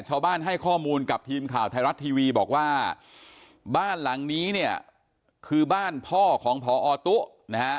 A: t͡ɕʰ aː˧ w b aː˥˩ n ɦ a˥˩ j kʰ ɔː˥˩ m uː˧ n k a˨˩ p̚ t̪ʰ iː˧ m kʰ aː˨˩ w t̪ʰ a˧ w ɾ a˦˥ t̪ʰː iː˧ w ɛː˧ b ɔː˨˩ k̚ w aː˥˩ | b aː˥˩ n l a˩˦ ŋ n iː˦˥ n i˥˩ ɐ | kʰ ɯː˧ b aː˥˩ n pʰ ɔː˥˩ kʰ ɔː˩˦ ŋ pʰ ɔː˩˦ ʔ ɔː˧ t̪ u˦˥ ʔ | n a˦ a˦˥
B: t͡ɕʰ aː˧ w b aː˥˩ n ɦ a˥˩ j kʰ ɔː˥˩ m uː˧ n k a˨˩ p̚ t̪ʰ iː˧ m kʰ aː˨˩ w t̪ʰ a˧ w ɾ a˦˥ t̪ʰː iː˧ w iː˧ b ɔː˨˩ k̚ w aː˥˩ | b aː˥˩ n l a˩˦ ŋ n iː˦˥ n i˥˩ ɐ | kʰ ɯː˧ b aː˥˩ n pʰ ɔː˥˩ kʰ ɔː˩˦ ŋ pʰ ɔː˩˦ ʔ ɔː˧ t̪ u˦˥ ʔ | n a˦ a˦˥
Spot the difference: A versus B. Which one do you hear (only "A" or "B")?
B